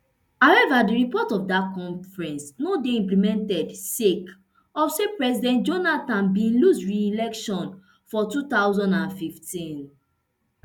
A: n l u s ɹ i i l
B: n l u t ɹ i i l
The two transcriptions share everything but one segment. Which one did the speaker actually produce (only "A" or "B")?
A